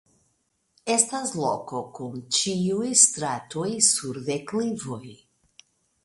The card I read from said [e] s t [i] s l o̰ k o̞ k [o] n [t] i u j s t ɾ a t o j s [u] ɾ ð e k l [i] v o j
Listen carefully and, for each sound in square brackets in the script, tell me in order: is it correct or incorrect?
correct, incorrect: a, incorrect: u, incorrect: t͡ʃ, correct, correct

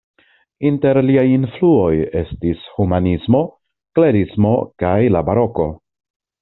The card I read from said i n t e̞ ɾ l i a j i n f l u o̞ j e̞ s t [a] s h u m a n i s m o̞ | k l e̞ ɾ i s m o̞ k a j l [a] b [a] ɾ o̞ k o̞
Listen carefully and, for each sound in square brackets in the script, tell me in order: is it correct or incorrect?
incorrect: i, correct, correct

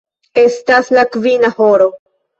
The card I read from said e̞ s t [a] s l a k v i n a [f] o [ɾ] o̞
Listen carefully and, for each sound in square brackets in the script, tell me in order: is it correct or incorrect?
correct, incorrect: h, correct

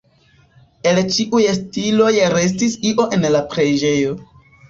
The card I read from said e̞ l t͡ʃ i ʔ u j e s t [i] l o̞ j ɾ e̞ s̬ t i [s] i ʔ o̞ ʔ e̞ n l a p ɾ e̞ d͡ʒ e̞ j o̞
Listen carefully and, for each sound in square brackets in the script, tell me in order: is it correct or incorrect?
correct, correct

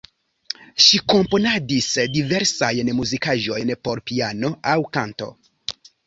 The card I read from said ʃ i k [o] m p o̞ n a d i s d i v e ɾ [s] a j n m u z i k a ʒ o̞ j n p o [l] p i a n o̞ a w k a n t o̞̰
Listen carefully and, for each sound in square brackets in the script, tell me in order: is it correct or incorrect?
correct, correct, incorrect: ɾ

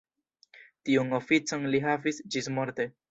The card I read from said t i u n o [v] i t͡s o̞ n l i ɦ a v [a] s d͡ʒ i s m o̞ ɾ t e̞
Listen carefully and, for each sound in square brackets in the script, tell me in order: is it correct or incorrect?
incorrect: f, incorrect: i

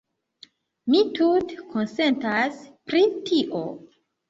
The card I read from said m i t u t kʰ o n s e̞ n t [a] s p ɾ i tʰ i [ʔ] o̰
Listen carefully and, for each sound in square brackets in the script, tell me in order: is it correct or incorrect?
correct, correct

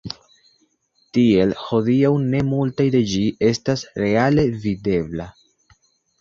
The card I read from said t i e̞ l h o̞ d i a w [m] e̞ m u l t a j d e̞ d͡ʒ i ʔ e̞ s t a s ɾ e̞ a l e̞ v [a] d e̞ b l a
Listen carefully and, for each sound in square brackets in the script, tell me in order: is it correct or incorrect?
incorrect: n, incorrect: i

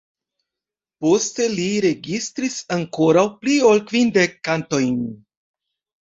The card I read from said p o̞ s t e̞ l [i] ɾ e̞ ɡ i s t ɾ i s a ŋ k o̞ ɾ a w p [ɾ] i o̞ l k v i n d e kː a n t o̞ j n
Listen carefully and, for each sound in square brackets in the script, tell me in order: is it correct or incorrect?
correct, incorrect: l

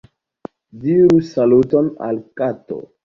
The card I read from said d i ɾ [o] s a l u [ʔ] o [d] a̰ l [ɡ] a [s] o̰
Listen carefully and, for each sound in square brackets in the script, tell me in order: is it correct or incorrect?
incorrect: u, incorrect: t, incorrect: n, incorrect: k, incorrect: t

